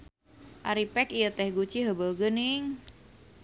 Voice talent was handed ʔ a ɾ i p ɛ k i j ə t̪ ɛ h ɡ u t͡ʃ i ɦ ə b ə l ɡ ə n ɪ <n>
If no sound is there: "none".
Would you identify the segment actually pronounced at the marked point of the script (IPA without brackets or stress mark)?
ŋ